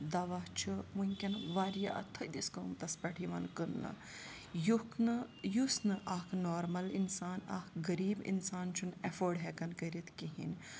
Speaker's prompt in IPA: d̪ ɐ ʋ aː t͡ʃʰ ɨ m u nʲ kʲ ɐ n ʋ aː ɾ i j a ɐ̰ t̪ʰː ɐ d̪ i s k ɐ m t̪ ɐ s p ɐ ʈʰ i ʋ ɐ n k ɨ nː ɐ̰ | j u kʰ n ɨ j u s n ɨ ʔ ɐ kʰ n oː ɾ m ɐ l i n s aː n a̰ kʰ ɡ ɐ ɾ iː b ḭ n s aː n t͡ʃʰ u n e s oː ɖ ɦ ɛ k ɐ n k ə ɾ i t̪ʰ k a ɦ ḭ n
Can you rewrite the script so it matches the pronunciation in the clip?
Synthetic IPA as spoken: d̪ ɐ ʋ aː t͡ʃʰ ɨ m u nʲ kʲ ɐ n ʋ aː ɾ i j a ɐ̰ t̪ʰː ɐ d̪ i s k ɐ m t̪ ɐ s p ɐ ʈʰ i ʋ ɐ n k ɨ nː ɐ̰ | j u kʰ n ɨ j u s n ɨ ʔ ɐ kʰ n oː ɾ m ɐ l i n s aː n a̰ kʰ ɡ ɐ ɾ iː b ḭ n s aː n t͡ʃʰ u n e f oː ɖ ɦ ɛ k ɐ n k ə ɾ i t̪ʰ k i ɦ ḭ n